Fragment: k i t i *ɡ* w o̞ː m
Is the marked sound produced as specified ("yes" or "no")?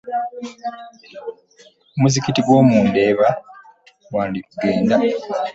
yes